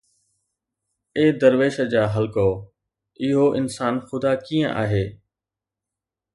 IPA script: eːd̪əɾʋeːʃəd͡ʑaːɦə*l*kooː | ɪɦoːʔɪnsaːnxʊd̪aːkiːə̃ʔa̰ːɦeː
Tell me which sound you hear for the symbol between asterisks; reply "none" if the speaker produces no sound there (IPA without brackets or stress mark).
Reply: l